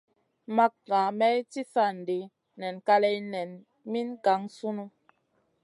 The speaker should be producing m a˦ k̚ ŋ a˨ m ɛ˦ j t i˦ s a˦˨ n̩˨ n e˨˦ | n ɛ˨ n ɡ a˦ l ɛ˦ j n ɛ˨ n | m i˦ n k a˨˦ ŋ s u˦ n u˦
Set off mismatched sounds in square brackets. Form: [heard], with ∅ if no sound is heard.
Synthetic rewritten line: m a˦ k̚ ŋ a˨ m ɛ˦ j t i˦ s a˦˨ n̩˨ [d] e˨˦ | n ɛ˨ n [k] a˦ l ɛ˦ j n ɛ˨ n | m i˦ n k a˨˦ ŋ s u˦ n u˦

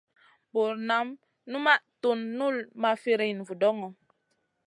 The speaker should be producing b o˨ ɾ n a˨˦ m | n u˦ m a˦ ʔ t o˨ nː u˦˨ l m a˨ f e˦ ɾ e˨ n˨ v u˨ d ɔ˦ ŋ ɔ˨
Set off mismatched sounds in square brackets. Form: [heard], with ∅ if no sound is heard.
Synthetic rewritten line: b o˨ ɾ n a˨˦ m | n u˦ m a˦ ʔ t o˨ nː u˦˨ l m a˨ f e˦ ɾ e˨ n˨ v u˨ d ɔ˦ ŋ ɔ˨

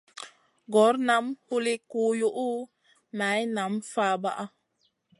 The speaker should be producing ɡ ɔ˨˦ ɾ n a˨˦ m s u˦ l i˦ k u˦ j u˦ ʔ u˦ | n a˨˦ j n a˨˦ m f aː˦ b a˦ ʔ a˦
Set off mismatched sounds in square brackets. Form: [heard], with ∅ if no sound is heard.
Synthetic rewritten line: ɡ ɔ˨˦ ɾ n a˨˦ m [h] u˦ l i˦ k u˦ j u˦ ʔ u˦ | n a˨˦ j n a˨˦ m f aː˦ b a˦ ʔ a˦

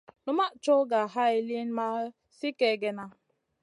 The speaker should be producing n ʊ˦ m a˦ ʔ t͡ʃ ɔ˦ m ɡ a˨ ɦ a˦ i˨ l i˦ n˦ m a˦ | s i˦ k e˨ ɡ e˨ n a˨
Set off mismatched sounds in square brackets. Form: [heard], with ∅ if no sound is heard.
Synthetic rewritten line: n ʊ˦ m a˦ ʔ t͡ʃ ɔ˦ [∅] ɡ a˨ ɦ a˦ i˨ l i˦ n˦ m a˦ | s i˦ k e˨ ɡ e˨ n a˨

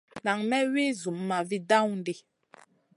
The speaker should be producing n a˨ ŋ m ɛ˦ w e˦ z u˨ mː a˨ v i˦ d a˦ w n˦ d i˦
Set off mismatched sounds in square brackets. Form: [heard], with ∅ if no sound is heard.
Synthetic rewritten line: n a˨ ŋ m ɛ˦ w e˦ z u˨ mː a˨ v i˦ d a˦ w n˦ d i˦

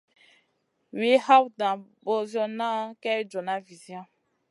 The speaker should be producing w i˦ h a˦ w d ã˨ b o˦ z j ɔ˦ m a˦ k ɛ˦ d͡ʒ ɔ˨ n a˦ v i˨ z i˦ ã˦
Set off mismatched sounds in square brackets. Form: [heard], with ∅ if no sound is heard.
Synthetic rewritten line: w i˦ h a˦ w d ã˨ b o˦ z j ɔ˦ [n] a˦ k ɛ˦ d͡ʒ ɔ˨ n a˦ v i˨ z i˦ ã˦

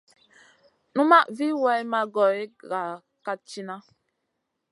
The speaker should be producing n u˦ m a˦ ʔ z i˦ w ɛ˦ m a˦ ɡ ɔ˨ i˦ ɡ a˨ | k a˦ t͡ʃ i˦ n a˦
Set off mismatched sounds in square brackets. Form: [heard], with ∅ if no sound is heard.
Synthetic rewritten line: n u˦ m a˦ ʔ [v] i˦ w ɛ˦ m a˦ ɡ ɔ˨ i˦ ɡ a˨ | k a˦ t͡ʃ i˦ n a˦

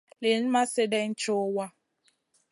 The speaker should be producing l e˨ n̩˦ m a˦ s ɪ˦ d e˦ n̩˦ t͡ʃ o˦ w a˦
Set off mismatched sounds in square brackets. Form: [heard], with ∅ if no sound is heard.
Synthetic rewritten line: l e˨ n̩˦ m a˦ s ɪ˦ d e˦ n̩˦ t͡ʃ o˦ w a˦

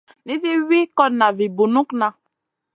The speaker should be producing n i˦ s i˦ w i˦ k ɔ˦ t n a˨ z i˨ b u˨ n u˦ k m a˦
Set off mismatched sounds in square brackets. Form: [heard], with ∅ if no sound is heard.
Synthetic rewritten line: n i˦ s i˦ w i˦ k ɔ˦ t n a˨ [v] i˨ b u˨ n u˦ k [n] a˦

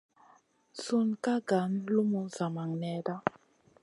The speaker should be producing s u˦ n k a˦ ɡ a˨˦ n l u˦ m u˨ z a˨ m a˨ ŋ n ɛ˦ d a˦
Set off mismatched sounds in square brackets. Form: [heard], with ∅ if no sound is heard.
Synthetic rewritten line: s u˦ n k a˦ ɡ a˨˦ n l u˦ m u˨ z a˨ m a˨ ŋ n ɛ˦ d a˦

